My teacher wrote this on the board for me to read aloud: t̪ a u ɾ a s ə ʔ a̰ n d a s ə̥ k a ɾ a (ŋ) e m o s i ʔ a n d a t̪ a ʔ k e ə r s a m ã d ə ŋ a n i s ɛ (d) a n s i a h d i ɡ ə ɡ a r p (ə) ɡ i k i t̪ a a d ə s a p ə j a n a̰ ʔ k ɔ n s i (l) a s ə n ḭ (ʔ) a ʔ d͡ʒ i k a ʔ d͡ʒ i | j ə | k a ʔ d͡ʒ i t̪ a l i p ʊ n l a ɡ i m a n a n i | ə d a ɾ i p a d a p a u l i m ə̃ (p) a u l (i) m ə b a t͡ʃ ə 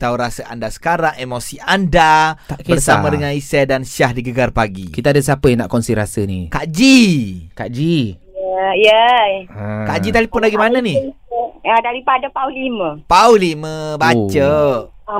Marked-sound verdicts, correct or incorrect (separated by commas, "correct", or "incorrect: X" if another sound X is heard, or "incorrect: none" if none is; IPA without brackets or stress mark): correct, correct, incorrect: a, incorrect: ɾ, incorrect: k, correct, correct